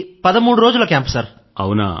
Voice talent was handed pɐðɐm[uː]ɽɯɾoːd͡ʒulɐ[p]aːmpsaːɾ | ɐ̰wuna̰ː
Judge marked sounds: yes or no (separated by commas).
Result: yes, no